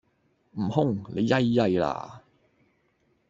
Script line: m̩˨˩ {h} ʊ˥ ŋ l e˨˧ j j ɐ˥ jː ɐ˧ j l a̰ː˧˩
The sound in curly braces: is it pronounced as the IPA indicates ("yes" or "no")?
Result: yes